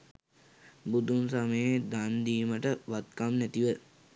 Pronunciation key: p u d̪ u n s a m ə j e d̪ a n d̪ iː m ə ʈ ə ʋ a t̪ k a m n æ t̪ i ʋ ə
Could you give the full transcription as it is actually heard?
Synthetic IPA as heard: b u d̪ u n s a m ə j e d̪ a n d̪ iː m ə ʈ ə ʋ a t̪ k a m n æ t̪ i ʋ ə